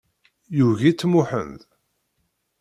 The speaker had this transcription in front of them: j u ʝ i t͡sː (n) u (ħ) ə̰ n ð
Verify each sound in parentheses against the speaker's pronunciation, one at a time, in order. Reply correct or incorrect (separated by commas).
incorrect, correct